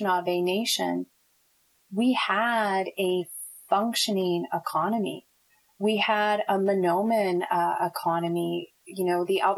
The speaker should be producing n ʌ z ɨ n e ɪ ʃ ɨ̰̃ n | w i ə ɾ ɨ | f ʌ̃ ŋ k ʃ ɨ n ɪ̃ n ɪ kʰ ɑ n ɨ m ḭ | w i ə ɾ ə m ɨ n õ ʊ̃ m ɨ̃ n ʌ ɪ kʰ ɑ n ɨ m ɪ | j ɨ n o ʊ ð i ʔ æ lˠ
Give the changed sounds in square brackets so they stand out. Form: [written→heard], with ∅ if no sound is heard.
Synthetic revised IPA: n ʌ [z→v] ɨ n e ɪ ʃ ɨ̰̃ n | w i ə ɾ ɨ | f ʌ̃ ŋ k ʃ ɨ n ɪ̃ [n→ŋ] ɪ kʰ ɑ n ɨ m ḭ | w i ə ɾ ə m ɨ n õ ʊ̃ m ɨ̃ n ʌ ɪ kʰ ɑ n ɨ m [ɪ→i] | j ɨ n o ʊ ð i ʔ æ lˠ